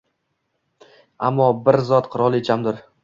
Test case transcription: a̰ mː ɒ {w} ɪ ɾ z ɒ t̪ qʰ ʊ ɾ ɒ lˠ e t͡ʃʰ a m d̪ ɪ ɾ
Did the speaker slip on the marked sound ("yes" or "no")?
yes